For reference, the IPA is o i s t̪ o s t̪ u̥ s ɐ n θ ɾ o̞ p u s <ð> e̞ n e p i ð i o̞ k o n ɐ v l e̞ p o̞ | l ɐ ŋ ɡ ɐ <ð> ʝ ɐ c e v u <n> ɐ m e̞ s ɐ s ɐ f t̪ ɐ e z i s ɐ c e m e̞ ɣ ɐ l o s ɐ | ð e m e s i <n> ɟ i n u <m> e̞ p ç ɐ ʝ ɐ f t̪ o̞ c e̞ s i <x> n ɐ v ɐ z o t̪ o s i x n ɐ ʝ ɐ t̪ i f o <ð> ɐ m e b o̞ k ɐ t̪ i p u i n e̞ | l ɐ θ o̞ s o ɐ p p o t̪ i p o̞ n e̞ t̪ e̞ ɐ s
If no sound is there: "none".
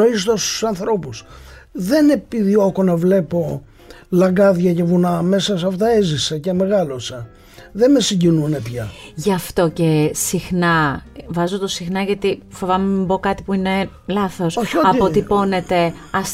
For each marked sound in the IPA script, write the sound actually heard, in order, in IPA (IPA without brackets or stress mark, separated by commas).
ð, ð, n, ɲ, n, x, v